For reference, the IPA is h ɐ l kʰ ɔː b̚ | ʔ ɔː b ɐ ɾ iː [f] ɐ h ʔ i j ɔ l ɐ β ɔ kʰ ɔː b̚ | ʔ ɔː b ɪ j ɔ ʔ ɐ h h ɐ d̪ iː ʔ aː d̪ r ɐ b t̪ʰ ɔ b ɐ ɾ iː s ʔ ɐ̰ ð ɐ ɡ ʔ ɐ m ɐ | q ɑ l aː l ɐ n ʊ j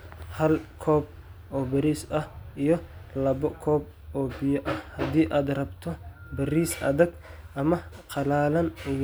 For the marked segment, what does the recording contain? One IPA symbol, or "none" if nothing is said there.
s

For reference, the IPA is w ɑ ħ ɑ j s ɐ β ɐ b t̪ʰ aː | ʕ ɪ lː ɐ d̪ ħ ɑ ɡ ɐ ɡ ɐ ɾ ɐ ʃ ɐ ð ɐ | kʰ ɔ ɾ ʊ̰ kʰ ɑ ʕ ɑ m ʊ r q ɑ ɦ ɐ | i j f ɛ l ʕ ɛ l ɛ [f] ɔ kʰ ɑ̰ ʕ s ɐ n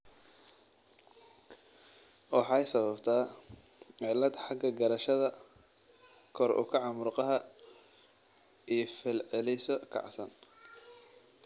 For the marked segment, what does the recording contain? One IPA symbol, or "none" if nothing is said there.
s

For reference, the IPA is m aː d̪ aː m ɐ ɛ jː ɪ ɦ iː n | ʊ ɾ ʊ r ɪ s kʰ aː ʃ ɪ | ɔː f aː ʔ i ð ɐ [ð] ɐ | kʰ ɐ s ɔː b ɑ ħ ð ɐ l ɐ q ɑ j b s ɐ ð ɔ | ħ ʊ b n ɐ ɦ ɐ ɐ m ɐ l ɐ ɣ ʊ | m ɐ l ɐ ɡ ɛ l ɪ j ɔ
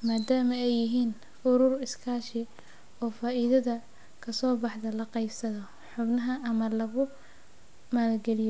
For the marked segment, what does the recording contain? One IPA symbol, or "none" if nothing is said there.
ð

